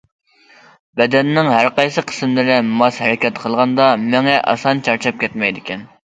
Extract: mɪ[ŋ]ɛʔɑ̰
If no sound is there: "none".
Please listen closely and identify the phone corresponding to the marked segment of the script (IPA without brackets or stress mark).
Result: ŋ